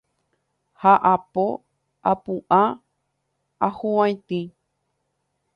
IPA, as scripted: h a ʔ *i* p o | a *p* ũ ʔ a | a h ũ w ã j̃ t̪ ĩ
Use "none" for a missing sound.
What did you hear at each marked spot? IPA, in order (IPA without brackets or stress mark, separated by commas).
a, p